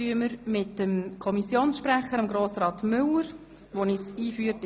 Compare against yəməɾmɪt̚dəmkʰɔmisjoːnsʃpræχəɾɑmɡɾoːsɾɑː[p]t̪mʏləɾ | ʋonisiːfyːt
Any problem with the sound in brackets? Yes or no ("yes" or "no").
yes